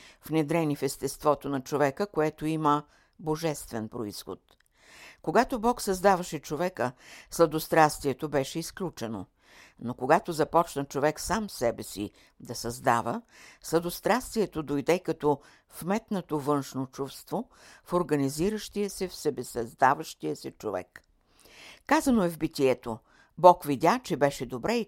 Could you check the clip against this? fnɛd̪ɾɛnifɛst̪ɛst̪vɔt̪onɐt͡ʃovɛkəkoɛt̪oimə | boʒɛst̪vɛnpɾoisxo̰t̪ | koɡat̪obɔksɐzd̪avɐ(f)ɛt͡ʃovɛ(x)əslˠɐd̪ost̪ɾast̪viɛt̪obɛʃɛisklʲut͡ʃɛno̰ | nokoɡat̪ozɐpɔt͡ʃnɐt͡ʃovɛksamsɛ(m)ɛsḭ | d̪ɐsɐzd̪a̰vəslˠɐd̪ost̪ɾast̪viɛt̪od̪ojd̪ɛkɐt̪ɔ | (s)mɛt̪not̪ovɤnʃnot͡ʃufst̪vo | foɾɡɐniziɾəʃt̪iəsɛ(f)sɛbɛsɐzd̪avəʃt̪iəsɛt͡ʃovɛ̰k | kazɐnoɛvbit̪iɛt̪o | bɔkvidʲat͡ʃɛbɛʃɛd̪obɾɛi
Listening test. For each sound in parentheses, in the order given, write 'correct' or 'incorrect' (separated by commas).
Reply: incorrect, incorrect, incorrect, incorrect, correct